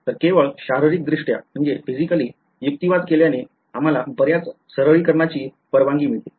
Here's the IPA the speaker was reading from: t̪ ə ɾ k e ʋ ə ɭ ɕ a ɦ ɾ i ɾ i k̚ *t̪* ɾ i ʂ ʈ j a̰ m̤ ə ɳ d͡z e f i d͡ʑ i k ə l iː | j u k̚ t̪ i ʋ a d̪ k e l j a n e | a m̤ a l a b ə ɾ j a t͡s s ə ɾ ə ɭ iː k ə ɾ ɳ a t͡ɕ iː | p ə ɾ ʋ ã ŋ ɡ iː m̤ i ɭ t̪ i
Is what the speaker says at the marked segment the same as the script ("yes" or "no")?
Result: no